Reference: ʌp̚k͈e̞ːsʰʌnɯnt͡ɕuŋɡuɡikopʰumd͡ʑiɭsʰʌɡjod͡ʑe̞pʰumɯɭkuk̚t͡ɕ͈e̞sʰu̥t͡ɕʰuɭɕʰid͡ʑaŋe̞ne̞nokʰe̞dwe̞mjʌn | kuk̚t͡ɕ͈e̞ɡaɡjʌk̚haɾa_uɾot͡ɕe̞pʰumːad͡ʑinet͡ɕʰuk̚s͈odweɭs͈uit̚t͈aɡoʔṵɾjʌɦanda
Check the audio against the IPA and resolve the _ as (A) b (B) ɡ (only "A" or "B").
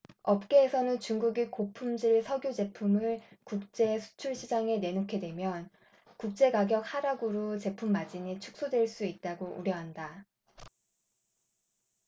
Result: B